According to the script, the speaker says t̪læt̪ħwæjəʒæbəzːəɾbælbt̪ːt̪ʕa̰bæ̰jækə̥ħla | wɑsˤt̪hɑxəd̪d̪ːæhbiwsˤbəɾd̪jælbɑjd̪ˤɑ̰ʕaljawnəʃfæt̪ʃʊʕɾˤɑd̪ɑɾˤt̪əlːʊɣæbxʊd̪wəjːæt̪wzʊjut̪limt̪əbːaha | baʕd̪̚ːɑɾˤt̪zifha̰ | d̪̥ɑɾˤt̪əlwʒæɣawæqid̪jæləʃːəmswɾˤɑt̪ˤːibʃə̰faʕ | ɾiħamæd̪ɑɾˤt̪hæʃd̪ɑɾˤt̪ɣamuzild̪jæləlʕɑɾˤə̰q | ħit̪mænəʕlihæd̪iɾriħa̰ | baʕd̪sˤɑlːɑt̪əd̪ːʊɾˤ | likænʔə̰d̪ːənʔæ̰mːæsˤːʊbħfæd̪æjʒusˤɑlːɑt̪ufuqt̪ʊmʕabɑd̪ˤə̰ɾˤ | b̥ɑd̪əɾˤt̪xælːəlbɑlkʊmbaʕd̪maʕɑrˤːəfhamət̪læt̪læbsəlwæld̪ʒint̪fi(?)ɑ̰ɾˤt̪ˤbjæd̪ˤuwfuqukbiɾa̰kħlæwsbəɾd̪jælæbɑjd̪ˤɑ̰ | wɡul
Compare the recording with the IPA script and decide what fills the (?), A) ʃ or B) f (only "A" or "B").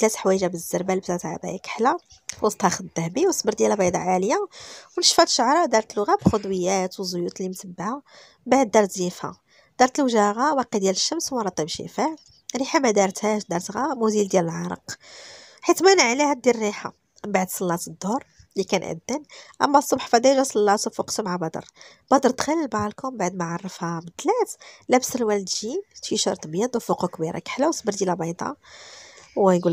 A